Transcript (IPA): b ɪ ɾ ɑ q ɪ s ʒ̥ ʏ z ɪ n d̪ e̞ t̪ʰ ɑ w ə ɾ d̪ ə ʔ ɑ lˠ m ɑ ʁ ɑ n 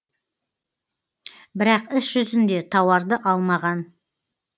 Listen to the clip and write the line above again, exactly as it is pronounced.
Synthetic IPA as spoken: b ɪ ɾ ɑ q ɪ s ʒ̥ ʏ z ɪ n d̪ e̞ t̪ʰ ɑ w ɑ ɾ d̪ ə ʔ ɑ lˠ m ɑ ʁ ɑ n